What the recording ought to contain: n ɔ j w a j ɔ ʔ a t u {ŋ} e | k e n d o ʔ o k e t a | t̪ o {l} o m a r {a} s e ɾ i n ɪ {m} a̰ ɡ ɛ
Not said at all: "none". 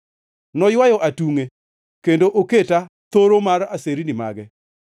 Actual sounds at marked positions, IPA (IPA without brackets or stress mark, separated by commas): ŋ, ɾ, a, m